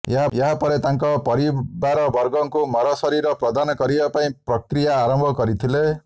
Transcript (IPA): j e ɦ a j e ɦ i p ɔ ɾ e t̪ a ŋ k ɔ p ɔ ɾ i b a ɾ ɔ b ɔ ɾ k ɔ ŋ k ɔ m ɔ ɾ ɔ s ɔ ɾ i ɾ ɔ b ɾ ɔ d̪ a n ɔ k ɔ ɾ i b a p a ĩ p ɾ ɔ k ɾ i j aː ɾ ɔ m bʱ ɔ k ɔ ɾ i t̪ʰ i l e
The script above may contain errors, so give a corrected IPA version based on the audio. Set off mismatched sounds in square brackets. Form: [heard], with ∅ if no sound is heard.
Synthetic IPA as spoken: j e ɦ a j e ɦ [a] p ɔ ɾ e t̪ a ŋ k ɔ p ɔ ɾ i b a ɾ ɔ b ɔ ɾ [ɡ] ɔ ŋ k [u] m ɔ ɾ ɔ s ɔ ɾ i ɾ ɔ [p] ɾ ɔ d̪ a n ɔ k ɔ ɾ i b a p a ĩ p ɾ ɔ k ɾ i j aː ɾ ɔ m bʱ ɔ k ɔ ɾ i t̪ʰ i l e